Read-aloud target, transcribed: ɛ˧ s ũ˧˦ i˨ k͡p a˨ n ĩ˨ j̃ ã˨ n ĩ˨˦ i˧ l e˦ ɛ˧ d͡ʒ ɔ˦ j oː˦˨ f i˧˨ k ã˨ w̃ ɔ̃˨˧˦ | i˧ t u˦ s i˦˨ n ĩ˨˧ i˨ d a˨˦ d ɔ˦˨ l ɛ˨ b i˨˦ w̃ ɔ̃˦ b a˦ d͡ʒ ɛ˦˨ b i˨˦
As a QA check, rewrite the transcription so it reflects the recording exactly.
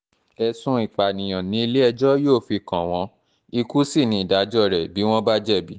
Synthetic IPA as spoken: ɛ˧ s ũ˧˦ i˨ k͡p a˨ n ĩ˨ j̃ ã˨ n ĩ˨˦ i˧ l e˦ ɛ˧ d͡ʒ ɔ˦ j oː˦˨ f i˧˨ k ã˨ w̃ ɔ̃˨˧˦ | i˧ k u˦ s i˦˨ n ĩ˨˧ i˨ d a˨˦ d͡ʒ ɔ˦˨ ɾ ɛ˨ b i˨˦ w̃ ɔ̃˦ b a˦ d͡ʒ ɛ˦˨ b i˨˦